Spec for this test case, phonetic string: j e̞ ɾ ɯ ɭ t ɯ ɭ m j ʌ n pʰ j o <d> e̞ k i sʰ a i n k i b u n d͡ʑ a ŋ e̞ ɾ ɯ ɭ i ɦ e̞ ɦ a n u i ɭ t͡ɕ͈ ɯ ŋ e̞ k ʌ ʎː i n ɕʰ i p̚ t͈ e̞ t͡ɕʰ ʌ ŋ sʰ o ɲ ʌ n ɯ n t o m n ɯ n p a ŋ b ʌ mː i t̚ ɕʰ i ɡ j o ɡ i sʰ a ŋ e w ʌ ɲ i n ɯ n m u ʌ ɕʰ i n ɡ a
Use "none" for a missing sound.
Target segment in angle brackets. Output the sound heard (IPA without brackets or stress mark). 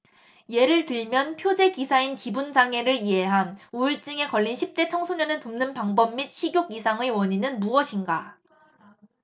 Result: d͡ʑ